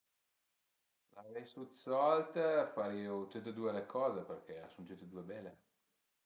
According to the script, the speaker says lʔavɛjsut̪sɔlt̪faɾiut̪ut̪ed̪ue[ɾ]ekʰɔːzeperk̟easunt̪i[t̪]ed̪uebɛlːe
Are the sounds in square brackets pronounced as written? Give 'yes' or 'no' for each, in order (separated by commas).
no, yes